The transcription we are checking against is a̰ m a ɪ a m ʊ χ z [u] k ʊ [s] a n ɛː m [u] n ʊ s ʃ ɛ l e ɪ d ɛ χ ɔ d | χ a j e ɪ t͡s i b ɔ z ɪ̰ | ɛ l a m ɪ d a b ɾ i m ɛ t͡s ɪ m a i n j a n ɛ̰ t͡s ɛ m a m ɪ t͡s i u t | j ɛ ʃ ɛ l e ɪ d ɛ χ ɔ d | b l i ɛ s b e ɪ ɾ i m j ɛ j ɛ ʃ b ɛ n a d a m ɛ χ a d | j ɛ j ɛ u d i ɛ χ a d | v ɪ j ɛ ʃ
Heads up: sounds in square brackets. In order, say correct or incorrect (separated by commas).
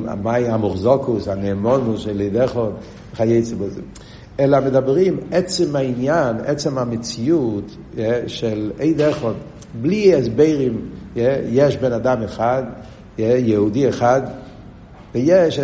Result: incorrect, correct, incorrect